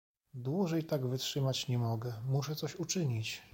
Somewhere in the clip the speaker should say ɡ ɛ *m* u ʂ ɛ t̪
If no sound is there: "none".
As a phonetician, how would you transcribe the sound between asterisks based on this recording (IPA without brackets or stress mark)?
m